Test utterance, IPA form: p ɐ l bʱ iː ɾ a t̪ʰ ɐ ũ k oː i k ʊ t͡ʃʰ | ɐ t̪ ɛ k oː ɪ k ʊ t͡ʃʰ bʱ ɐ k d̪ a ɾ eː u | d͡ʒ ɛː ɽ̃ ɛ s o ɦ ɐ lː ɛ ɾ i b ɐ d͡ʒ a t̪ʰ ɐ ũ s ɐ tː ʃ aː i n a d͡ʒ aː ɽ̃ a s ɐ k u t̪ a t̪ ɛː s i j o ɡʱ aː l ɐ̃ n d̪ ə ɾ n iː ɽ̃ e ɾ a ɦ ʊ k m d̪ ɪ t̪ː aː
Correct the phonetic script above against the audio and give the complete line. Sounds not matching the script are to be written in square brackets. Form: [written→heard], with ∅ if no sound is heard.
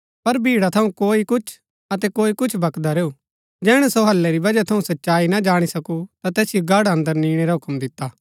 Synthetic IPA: p ɐ [l→ɾ] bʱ iː [ɾ→ɽ] a t̪ʰ ɐ ũ k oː i k ʊ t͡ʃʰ | ɐ t̪ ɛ k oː [ɪ→i] k ʊ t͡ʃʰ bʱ ɐ k d̪ a ɾ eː u | d͡ʒ ɛː ɽ̃ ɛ s o ɦ ɐ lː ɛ ɾ i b ɐ d͡ʒ a t̪ʰ ɐ ũ s ɐ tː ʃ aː i n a d͡ʒ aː ɽ̃ [a→i] s ɐ k u t̪ a t̪ ɛː s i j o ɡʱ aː [l→ɽ] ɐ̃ n d̪ ə ɾ n iː ɽ̃ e ɾ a ɦ ʊ k m d̪ ɪ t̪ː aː